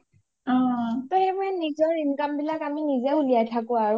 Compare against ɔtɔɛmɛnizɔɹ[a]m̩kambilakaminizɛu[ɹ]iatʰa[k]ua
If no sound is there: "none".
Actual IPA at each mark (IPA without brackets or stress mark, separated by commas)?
i, l, k